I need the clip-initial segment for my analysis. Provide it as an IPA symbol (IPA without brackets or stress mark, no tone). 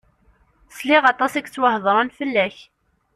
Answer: s